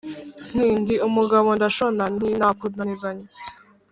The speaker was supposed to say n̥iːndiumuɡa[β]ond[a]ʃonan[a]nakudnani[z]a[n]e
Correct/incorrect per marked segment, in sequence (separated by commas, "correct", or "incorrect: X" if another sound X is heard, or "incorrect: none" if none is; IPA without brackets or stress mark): correct, correct, incorrect: i, correct, incorrect: ɲ